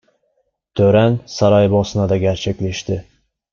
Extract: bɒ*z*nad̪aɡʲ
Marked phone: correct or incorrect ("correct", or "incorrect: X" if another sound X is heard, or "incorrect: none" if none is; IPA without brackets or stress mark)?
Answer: incorrect: s